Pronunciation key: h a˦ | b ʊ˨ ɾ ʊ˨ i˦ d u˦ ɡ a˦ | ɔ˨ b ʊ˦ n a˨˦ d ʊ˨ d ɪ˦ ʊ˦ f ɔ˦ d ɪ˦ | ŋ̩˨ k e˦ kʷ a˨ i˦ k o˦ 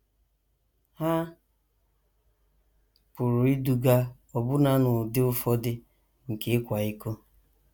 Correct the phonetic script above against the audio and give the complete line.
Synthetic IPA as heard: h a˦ | p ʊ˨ ɾ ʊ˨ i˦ d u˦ ɡ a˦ | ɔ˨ b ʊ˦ n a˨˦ n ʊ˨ d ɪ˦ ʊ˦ f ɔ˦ d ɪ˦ | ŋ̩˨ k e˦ kʷ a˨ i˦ k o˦